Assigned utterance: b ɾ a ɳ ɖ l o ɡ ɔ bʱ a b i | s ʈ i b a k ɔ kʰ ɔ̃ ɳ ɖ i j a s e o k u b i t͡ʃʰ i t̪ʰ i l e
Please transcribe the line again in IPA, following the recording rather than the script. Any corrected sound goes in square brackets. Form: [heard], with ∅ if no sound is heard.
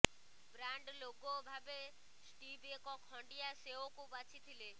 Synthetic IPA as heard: b ɾ a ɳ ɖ l o ɡ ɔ bʱ a b [e] | s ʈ i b [e] k ɔ kʰ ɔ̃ ɳ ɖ i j a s e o k u b [a] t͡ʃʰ i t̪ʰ i l e

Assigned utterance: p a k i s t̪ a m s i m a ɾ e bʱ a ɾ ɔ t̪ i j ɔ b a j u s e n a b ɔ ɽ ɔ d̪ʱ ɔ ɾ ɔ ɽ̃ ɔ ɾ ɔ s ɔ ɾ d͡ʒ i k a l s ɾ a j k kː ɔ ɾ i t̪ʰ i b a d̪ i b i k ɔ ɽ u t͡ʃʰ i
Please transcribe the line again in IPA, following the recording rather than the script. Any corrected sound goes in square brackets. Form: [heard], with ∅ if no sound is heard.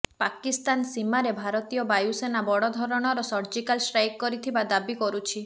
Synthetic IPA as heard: p a k i s t̪ a [n] s i m a ɾ e bʱ a ɾ ɔ t̪ i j ɔ b a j u s e n a b ɔ ɽ ɔ d̪ʱ ɔ ɾ ɔ ɽ̃ ɔ ɾ ɔ s ɔ ɾ d͡ʒ i k a l s ɾ a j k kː ɔ ɾ i t̪ʰ i b a d̪ [a] b i k ɔ [ɾ] u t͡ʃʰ i

